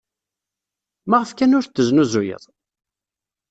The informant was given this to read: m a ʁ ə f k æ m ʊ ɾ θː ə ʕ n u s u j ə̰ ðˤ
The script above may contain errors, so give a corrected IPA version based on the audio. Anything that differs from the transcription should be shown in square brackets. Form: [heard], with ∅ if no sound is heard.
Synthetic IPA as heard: m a ʁ ə f k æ [n] ʊ ɾ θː ə [z] n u [z] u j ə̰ ðˤ